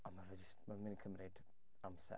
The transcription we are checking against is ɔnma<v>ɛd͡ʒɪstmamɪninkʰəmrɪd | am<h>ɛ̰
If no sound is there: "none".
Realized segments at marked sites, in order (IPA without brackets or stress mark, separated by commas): v, s